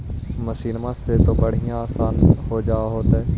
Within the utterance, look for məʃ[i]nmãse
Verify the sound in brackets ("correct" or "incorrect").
incorrect